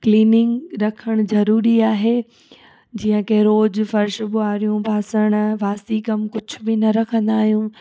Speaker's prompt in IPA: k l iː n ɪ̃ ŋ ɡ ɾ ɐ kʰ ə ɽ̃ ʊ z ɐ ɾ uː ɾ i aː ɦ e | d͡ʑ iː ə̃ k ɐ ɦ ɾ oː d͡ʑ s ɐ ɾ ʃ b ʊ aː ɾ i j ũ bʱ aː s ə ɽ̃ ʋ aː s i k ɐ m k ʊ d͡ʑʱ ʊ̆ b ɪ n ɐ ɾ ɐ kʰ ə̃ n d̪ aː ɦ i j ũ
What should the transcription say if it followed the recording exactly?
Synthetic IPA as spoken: k l iː n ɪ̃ ŋ ɡ ɾ ɐ kʰ ə ɽ̃ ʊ z ɐ ɾ uː ɾ i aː ɦ e | d͡ʑ iː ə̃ k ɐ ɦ ɾ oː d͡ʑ f ɐ ɾ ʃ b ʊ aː ɾ i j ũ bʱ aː s ə ɽ̃ ʋ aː s i k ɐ m k ʊ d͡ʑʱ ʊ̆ b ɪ n ɐ ɾ ɐ kʰ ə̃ n d̪ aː ɦ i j ũ